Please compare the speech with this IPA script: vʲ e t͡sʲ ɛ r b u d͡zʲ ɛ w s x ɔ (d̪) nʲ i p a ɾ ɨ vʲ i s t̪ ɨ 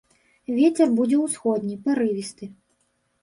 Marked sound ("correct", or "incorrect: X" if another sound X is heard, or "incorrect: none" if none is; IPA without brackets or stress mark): correct